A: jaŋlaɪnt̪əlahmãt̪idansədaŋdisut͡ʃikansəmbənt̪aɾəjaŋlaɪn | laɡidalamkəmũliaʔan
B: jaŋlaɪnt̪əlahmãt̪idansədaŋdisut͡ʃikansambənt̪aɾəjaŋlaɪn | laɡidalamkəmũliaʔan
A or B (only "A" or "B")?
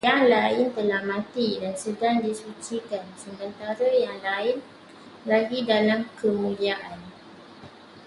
A